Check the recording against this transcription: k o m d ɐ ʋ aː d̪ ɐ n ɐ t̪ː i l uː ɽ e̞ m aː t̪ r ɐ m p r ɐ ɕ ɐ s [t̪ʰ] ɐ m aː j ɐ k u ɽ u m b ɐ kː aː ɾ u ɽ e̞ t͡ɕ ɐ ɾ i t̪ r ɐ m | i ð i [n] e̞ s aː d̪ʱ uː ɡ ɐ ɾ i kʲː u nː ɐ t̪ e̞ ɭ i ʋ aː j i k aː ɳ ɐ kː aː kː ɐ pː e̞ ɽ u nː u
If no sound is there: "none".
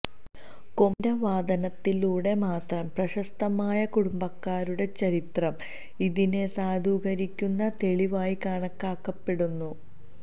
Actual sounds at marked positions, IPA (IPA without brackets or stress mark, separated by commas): t̪, n